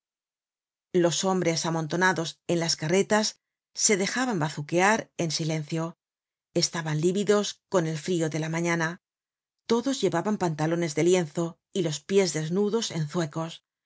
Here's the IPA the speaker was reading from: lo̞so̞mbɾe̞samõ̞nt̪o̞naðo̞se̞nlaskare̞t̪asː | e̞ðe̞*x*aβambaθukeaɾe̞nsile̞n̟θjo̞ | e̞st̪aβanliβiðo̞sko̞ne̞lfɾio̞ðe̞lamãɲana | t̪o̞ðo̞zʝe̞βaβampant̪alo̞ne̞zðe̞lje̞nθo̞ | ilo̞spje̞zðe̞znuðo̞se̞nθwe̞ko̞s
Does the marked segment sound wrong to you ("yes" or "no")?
no